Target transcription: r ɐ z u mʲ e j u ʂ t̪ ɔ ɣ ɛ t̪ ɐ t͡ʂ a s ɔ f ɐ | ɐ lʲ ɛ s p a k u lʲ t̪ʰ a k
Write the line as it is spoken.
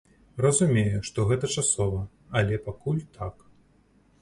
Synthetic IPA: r ɐ z u mʲ e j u ʂ t̪ ɔ ɣ ɛ t̪ ɐ t͡ʂ a s ɔ v ɐ | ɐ lʲ ɛ p a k u lʲ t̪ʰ a k

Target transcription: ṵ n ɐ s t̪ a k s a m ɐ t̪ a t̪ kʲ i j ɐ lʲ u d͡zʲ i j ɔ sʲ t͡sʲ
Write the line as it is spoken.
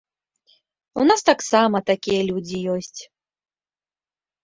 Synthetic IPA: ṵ n a s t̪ a k s a m ɐ t̪ a kʲ i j ɐ lʲ u d͡zʲ i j ɔ sʲ t͡sʲ

